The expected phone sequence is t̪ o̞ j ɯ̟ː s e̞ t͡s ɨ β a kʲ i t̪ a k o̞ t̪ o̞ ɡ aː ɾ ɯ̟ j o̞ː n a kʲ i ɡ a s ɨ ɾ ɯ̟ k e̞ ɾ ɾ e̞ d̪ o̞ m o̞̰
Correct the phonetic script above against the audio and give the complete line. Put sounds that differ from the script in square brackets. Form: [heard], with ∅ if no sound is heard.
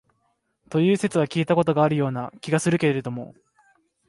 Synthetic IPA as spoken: t̪ o̞ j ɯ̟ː s e̞ t͡s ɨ β a kʲ [iː] t̪ a k o̞ t̪ o̞ ɡ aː ɾ ɯ̟ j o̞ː n a kʲ i ɡ a s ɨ ɾ ɯ̟ k e̞ ɾ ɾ e̞ d̪ o̞ m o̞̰